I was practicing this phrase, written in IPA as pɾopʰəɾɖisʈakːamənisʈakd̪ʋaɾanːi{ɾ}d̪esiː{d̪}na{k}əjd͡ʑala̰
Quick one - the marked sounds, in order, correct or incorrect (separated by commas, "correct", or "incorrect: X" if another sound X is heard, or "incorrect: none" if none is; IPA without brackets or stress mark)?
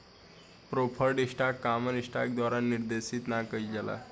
correct, incorrect: t̪, correct